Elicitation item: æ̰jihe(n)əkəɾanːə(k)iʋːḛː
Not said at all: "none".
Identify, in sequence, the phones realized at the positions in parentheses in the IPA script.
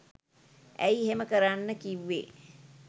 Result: m, k

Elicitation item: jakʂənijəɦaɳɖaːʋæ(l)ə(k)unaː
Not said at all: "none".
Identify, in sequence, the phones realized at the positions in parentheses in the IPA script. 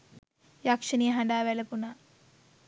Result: l, p

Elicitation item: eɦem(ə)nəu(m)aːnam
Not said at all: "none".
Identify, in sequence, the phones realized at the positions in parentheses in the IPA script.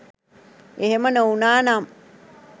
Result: ə, n

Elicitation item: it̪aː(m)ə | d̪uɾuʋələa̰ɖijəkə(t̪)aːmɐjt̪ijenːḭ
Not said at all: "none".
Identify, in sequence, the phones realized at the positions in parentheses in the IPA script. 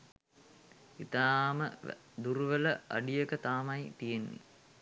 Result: m, t̪

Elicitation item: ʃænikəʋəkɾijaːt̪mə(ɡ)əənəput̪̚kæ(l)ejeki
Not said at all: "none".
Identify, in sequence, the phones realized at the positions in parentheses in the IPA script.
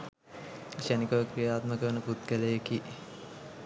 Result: k, l

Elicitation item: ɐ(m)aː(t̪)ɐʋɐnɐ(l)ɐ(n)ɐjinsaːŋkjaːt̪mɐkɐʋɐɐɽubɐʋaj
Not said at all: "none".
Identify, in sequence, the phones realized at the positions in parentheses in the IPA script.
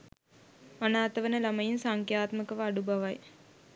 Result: n, t̪, l, m

